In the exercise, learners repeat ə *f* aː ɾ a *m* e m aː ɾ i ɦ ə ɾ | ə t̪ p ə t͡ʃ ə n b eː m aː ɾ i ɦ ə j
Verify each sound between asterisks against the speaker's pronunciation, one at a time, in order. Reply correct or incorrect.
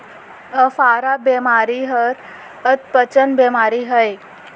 correct, incorrect: b

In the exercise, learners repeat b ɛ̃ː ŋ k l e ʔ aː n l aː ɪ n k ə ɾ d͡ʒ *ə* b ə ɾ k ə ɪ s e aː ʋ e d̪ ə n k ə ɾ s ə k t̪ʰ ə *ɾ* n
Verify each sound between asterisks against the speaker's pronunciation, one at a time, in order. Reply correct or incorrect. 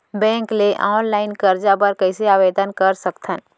incorrect: a, incorrect: none

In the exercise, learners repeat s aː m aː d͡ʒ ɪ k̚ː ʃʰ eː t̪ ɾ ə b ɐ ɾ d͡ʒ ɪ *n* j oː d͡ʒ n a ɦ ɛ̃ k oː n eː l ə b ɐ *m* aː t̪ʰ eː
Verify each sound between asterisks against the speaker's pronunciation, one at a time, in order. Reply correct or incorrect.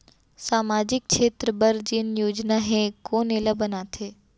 correct, incorrect: n

